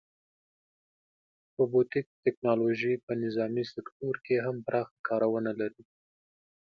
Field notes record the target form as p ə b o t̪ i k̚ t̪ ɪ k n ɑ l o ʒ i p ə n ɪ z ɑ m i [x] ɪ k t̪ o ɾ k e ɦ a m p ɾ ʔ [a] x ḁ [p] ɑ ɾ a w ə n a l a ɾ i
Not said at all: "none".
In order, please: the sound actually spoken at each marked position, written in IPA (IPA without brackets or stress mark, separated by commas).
s, ɑ, k